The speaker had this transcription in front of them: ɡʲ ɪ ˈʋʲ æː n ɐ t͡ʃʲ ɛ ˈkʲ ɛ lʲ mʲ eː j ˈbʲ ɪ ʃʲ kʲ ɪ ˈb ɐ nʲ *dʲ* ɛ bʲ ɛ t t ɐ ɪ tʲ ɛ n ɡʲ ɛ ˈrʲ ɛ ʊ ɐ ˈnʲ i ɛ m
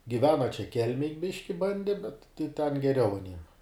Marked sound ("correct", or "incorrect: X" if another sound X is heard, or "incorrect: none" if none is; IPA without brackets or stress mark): correct